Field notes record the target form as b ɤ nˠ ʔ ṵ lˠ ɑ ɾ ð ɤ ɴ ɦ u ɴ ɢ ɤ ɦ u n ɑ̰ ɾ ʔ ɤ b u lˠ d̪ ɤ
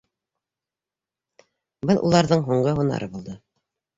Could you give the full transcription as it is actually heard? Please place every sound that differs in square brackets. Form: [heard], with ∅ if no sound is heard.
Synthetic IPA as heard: b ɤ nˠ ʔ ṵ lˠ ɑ ɾ ð ɤ ɴ ɦ u ɴ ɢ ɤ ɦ u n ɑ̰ ɾ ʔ ɤ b u lˠ d̪ ɤ